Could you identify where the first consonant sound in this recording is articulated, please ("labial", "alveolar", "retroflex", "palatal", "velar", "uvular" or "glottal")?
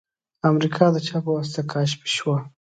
labial